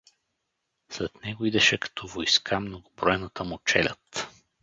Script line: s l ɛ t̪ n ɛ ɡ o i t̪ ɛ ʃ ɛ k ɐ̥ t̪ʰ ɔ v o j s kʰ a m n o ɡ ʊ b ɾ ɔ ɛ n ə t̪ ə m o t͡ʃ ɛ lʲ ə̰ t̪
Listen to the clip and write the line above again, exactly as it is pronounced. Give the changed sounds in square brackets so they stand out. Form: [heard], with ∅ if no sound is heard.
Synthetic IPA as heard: s l ɛ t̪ n ɛ ɡ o i [d̪] ɛ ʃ ɛ k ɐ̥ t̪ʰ ɔ v o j s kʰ a m n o ɡ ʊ b ɾ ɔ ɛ n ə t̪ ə m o t͡ʃ ɛ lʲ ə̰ t̪